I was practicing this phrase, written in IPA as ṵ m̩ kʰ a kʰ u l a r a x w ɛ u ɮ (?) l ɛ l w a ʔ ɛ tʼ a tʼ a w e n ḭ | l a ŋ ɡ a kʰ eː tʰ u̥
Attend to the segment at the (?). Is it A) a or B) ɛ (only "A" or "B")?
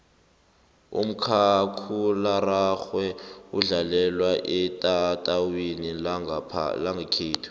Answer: A